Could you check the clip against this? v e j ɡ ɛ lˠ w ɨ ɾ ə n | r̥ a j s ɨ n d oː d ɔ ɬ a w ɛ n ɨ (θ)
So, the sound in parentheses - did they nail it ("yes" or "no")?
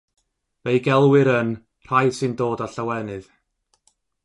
no